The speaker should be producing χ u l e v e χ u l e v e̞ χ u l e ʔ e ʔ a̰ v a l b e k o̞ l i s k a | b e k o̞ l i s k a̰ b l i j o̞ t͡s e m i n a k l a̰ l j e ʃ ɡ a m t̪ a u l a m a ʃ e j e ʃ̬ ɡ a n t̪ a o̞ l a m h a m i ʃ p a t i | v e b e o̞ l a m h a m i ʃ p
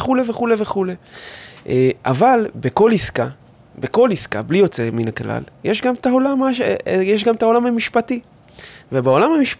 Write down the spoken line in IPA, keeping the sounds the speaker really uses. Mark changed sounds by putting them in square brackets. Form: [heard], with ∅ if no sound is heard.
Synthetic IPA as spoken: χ u l e v e χ u l e v e̞ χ u l e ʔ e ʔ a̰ v a l b e k o̞ l i s k a | b e k o̞ l i s k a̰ b l i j o̞ t͡s e m i n a k l a̰ l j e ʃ ɡ a m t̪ a [o] l a m a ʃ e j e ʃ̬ ɡ a [m] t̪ a o̞ l a m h a m i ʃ p a t i | v e b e o̞ l a m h a m i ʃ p